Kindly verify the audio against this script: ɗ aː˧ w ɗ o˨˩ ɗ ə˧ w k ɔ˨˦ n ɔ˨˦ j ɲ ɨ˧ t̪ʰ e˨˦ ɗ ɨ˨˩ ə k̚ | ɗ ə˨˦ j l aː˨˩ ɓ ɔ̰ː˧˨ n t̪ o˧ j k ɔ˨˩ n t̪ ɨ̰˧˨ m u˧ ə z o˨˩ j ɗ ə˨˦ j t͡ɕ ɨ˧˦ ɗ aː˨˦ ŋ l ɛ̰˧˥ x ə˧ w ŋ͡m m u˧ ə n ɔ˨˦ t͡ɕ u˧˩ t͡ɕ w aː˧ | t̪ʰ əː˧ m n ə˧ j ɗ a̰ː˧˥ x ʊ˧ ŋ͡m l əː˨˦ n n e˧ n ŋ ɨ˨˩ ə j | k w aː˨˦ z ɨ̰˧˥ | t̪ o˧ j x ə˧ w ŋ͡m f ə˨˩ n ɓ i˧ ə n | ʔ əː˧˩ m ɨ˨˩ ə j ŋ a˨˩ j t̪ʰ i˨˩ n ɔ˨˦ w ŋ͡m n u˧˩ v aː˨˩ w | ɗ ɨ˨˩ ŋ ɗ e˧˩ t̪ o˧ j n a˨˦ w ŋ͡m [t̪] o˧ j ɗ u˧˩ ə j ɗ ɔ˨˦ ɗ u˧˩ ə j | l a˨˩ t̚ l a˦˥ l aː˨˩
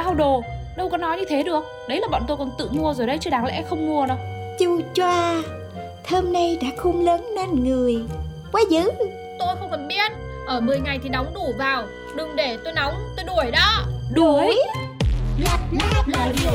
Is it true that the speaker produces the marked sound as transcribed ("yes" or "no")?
yes